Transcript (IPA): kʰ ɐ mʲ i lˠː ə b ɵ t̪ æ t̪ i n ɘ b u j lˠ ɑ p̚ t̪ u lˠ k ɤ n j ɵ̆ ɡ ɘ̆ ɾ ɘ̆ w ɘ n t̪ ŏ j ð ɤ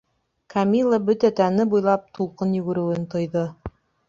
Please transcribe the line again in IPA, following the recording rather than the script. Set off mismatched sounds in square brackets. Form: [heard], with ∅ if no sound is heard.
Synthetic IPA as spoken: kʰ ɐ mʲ i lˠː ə b ɵ t̪ æ t̪ [æ] n ɘ b u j lˠ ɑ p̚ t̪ u lˠ [q] ɤ n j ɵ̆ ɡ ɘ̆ ɾ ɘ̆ w ɘ n t̪ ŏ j ð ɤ